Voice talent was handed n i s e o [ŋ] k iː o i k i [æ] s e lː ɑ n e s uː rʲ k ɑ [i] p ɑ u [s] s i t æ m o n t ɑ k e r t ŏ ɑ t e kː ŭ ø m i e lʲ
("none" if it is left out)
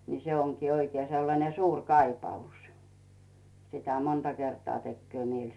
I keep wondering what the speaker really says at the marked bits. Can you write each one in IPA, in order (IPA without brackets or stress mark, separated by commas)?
ŋ, e, i, s